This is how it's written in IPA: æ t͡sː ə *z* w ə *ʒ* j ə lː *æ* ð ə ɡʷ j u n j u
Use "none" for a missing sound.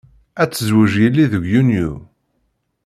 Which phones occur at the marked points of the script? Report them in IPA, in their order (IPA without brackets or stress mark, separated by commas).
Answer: z, ʒ, i